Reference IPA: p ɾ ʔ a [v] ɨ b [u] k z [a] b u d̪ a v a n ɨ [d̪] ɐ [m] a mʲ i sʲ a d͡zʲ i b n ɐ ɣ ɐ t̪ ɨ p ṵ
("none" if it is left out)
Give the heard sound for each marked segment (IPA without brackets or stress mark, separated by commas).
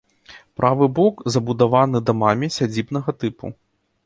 v, ɔ, ɐ, d̪, m